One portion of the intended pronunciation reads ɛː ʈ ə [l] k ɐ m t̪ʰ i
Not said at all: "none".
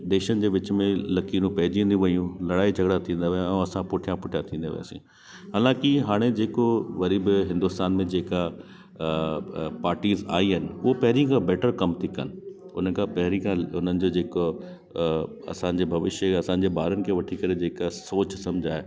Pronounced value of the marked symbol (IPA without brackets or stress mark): ɾ